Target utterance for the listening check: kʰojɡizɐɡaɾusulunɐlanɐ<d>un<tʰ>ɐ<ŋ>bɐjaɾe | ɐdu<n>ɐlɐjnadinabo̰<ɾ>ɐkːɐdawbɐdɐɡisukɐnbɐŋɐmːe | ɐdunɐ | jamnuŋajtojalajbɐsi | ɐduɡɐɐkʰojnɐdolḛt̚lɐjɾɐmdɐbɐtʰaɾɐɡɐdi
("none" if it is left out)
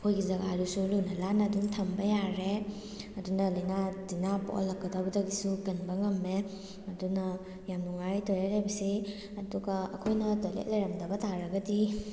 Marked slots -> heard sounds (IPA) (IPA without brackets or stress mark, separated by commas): d, tʰ, m, n, l